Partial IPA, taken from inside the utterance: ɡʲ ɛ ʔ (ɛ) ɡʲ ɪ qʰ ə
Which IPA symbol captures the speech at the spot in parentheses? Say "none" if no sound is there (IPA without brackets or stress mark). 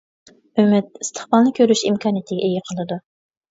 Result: e